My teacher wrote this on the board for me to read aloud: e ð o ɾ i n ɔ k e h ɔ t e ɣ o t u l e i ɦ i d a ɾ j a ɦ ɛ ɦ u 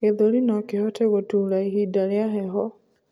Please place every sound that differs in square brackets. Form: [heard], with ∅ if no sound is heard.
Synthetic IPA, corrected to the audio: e ð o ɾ i n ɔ k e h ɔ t e ɣ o t u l [a] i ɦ i d a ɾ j a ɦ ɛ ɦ [ɔ]